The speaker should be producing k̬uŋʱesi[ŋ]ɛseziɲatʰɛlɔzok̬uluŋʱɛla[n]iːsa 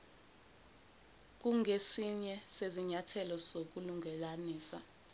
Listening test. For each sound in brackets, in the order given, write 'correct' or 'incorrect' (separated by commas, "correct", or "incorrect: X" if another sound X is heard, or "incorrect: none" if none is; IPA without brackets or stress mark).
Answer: incorrect: ɲ, correct